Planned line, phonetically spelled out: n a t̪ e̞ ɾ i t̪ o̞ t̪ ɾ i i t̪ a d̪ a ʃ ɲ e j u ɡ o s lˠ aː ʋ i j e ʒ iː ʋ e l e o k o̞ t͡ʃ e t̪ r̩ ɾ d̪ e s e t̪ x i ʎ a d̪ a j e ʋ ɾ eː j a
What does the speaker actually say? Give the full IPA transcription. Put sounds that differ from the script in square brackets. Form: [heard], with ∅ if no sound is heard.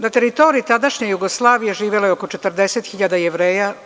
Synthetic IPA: n a t̪ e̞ ɾ i t̪ o̞ [∅] ɾ i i t̪ a d̪ a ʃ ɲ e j u ɡ o s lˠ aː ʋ i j e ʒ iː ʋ e l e o k o̞ t͡ʃ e t̪ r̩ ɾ d̪ e s e t̪ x i ʎ a d̪ a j e ʋ ɾ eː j a